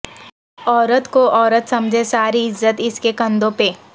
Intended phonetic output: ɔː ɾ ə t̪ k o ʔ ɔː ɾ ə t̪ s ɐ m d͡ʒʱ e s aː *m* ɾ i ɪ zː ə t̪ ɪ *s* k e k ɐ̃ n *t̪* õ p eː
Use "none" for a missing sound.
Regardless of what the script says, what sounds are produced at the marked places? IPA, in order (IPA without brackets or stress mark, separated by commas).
none, s, d̪